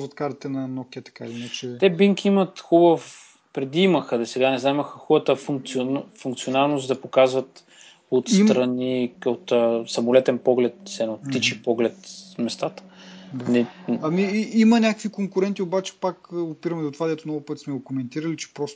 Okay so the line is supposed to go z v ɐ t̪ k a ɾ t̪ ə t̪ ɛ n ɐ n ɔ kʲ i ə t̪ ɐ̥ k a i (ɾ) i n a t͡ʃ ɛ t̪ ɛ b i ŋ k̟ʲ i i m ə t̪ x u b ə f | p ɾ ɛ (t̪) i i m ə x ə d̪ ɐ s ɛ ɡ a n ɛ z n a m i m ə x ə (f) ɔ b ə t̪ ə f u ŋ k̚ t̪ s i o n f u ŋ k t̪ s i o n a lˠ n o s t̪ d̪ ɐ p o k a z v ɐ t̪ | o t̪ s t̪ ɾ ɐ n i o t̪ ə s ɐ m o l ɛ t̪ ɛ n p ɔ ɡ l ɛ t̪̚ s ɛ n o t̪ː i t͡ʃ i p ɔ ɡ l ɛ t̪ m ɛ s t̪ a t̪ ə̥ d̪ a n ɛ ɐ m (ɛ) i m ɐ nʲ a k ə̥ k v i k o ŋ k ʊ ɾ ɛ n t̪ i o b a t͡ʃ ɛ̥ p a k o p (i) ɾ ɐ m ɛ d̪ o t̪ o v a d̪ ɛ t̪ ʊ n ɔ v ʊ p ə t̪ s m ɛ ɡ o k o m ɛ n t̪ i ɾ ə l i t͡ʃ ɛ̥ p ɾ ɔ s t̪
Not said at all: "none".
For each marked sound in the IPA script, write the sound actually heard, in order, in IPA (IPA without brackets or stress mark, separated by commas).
l, d̪, x, i, i